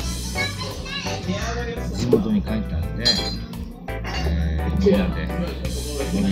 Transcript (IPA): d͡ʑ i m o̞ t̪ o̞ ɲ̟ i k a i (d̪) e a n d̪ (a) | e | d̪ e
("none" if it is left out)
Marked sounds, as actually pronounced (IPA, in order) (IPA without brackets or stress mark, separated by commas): t̪, e